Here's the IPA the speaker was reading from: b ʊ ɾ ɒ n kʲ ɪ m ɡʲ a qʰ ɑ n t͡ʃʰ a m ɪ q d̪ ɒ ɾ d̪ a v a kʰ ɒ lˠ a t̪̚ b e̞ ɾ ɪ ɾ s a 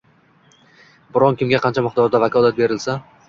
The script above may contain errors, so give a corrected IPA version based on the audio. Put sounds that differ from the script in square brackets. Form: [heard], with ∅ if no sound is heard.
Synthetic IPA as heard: b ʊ ɾ ɒ n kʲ ɪ m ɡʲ a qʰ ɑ n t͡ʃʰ a m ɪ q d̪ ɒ ɾ d̪ a v a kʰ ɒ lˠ a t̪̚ b e̞ ɾ ɪ [l] s a